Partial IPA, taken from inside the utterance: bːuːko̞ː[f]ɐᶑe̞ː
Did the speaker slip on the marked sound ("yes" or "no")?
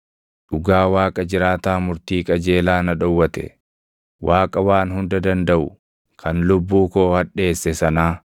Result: yes